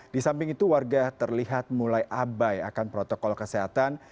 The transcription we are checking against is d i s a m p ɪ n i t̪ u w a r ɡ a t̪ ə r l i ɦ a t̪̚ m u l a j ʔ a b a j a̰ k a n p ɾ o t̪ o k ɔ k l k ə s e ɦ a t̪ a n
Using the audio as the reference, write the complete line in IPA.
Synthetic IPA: d i s a m p ɪ ŋ i t̪ u w a r ɡ a t̪ ə r l i ɦ a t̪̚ m u l a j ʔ a b a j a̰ k a n p ɾ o t̪ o k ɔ l k ə s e ɦ a t̪ a n